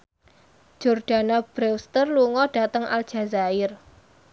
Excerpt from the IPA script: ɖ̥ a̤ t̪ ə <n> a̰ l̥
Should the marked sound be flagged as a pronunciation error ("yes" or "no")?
yes